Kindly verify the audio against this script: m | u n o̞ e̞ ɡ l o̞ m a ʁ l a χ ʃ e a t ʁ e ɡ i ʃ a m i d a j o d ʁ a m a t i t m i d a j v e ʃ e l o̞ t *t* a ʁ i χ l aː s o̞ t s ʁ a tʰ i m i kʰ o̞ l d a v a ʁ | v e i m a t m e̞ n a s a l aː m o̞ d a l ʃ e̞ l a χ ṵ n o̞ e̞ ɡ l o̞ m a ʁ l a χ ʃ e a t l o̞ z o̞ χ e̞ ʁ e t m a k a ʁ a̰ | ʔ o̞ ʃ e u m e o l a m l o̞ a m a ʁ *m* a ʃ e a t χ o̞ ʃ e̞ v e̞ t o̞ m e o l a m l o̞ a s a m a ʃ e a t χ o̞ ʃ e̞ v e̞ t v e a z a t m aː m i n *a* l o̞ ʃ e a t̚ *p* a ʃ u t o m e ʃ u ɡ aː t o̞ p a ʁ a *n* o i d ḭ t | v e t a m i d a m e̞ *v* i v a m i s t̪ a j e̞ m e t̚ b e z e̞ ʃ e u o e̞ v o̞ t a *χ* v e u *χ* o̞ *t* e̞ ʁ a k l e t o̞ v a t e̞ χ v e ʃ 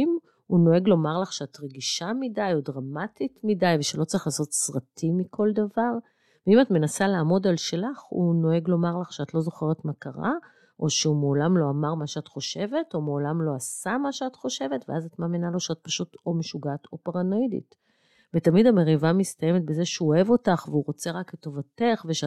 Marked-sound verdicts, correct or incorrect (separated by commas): incorrect, correct, correct, correct, correct, incorrect, correct, incorrect, incorrect